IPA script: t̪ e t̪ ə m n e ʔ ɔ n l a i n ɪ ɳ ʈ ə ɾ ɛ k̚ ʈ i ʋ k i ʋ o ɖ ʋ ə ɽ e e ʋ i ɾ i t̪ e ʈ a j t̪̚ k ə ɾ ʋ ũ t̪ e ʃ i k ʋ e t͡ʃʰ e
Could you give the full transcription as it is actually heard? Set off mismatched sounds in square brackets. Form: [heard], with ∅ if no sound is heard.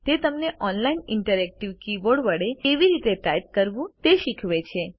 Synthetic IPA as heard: t̪ e t̪ ə m n e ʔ ɔ n l a i n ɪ ɳ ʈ ə ɾ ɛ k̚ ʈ i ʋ k i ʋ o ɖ ʋ ə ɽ e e ʋ i ɾ i t̪ e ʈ a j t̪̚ k ə ɾ ʋ ũ t̪ e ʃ i [kʰ] ʋ e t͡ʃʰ e